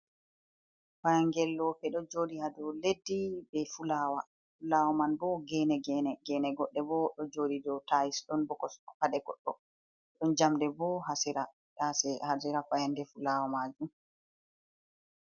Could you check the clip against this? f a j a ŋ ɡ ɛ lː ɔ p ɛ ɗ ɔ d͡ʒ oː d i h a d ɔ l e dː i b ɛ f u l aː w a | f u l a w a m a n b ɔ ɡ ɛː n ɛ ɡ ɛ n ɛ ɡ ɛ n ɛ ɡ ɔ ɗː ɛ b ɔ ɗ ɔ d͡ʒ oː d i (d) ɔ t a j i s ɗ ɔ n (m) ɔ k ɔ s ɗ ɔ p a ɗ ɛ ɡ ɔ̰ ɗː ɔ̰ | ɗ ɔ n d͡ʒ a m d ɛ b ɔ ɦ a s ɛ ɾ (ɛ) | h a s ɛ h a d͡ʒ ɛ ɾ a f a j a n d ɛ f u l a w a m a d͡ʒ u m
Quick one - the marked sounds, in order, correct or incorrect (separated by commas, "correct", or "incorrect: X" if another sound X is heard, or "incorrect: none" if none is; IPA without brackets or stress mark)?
correct, incorrect: b, incorrect: a